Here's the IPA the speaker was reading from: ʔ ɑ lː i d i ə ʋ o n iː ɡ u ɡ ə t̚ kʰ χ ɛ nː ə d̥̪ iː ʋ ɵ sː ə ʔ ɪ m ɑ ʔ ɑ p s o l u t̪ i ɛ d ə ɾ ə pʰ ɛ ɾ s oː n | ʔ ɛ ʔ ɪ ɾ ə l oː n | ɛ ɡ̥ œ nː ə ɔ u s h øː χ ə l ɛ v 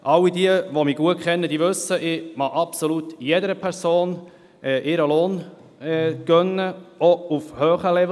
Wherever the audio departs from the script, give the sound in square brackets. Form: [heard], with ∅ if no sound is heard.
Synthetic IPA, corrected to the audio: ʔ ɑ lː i d i ə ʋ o [m] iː ɡ u [∅] ə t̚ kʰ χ ɛ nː ə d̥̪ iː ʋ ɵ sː ə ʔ ɪ m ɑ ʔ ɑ p s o l u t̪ [j] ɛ d ə ɾ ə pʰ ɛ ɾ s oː n | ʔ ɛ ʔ ɪ ɾ ə l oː n | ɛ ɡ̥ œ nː ə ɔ u [f] h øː χ ə l ɛ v